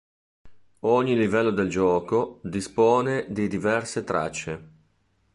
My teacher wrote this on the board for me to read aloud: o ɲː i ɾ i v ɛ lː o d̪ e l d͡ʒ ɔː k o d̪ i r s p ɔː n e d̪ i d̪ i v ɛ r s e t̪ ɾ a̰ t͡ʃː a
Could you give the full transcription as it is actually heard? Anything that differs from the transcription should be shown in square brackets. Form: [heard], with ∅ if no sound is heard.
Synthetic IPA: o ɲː i [l] i v ɛ lː o d̪ e l d͡ʒ ɔː k o d̪ i [∅] s p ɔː n e d̪ i d̪ i v ɛ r s e t̪ ɾ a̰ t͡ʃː [e]